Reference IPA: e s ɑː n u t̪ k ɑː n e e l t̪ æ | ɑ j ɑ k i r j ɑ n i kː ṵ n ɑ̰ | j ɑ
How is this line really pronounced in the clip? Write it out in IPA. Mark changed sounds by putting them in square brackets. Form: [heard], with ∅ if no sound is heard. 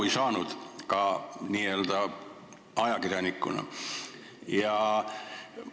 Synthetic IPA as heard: [i] s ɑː n u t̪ k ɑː n [i] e l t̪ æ | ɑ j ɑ k i r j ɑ n i kː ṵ n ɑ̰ | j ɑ